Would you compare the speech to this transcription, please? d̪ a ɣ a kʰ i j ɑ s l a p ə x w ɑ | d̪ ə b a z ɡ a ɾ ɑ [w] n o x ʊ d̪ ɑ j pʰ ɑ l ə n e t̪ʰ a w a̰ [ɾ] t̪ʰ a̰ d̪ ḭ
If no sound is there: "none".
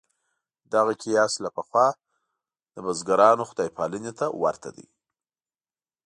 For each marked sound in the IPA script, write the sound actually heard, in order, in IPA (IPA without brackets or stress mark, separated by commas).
none, ɾ